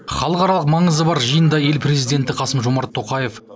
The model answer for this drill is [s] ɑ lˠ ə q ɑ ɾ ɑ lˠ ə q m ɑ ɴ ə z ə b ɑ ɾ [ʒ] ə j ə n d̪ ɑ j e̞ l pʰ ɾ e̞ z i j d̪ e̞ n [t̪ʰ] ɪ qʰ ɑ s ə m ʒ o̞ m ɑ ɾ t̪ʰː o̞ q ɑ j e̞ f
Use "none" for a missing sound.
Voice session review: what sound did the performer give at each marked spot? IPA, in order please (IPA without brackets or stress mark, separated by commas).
χ, ʒ, t̪